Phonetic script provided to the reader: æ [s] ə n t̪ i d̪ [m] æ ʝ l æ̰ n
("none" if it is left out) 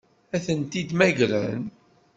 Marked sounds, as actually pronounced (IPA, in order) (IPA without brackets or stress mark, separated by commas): θ, m